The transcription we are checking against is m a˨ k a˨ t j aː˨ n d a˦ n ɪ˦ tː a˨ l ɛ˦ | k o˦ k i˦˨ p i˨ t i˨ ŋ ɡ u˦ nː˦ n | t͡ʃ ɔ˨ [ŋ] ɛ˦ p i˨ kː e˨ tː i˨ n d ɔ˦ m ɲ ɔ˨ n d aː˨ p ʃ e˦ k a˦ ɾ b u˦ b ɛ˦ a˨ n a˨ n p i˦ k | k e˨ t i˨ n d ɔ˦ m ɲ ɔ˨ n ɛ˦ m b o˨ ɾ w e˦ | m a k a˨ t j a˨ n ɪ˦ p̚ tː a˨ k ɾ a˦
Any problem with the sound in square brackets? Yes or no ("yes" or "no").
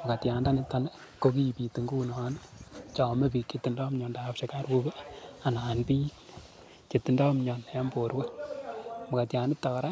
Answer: yes